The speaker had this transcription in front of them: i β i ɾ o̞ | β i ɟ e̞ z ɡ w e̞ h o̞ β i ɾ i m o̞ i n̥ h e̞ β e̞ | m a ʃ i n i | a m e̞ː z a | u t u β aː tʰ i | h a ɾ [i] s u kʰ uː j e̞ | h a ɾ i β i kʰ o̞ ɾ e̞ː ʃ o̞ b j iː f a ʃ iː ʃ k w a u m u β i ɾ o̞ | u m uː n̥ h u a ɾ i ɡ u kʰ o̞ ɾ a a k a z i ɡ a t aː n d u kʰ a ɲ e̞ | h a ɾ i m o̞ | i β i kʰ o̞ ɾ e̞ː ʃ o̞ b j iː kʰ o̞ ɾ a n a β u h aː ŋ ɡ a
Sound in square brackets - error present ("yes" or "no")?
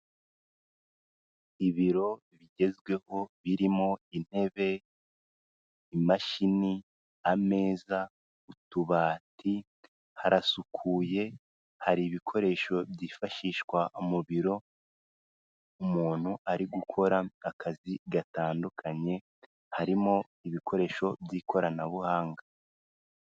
yes